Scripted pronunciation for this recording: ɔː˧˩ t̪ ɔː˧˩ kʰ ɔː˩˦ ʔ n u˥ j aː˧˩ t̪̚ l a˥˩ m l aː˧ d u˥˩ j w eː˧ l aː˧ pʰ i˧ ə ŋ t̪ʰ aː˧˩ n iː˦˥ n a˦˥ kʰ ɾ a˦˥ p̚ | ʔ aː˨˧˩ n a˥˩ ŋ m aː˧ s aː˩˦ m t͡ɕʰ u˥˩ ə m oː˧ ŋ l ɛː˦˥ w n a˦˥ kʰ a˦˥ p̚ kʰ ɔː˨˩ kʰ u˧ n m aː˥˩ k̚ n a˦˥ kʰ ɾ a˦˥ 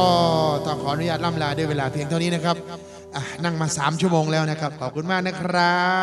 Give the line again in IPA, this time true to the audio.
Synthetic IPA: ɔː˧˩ t̪ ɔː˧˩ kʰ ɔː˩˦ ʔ n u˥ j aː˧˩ t̪̚ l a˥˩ m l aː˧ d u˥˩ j w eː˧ l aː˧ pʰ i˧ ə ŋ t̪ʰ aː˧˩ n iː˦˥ n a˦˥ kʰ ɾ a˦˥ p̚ | ʔ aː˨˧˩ n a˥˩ ŋ m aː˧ s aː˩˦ m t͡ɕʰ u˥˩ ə m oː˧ ŋ l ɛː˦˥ w n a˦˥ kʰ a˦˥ p̚ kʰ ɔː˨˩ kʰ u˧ n m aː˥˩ k̚ n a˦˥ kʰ ɾ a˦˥

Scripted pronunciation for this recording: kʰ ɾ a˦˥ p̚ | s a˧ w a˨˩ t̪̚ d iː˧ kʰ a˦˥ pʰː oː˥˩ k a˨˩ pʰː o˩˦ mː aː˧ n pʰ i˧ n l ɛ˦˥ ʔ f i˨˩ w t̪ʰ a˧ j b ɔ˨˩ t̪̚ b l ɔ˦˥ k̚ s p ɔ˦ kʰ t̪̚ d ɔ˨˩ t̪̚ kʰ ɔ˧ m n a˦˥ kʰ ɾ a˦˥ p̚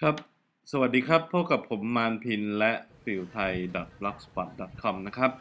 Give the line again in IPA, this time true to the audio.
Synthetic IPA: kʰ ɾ a˦˥ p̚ | s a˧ w a˨˩ t̪̚ d iː˧ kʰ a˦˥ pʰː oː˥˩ k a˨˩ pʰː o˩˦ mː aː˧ n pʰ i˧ n l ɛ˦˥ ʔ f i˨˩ w t̪ʰ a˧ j d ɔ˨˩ t̪̚ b l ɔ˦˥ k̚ s p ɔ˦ t̪̚ d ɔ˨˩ t̪̚ kʰ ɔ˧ m n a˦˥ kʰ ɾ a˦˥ p̚

